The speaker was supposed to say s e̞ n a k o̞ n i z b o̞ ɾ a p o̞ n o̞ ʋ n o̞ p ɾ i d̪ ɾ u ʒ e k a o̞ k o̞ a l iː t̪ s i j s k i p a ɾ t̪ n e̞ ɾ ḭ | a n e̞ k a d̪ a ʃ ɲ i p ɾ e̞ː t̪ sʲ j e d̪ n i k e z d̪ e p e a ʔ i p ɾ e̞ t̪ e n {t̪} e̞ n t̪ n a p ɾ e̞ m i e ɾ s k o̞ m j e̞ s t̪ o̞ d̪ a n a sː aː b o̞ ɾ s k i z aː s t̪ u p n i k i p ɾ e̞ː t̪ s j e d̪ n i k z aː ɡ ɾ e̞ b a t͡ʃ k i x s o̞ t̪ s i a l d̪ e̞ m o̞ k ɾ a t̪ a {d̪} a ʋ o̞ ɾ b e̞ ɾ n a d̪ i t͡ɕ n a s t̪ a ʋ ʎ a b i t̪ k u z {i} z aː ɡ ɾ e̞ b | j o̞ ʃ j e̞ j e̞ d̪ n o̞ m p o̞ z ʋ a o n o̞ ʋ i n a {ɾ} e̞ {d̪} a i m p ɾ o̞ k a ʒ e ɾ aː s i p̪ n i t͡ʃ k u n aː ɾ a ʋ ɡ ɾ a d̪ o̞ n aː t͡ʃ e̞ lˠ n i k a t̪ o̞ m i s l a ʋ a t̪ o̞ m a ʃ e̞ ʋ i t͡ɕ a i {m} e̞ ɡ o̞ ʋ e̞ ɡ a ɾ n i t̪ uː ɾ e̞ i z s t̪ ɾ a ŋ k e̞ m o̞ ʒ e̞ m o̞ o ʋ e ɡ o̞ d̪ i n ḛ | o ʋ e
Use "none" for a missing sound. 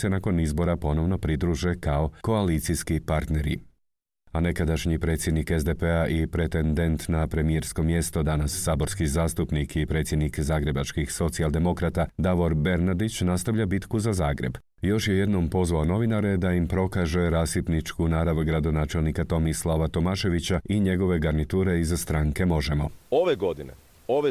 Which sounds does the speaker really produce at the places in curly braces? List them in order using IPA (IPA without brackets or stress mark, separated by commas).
d̪, d̪, a, ɾ, d̪, ɲ